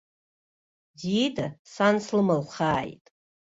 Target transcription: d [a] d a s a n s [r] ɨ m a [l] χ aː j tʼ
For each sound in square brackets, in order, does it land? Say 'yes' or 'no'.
no, no, yes

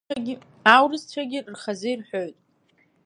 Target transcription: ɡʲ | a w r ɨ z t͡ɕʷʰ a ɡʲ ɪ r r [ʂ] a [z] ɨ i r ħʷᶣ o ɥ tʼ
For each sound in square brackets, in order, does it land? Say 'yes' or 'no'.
no, yes

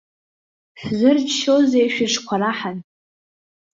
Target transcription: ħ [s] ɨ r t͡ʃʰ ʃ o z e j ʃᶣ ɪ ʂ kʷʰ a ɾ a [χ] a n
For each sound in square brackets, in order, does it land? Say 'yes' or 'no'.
no, no

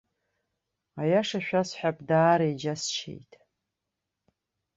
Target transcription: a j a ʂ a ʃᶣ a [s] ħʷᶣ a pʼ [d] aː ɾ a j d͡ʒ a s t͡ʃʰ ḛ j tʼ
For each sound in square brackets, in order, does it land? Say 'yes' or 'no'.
yes, yes

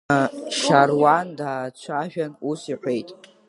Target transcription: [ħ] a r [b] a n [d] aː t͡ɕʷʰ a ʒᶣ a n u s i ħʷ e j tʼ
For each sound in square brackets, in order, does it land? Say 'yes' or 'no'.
no, no, yes

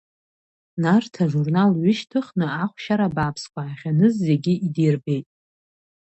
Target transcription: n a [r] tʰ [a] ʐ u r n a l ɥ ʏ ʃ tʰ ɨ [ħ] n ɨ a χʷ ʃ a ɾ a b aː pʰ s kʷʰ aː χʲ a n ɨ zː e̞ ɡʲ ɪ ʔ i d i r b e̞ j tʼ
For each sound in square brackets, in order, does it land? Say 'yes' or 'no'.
yes, yes, no

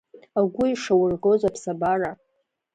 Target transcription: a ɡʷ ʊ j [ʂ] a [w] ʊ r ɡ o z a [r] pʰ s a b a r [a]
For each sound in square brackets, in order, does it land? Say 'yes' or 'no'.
yes, yes, no, yes

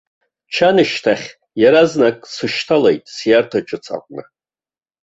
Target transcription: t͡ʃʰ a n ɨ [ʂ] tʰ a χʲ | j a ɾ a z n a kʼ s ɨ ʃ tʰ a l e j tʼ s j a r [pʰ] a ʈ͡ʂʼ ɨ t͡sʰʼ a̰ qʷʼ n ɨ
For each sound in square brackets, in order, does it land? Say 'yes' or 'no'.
no, no

